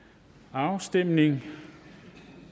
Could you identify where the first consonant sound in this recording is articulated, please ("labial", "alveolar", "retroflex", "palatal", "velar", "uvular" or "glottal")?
alveolar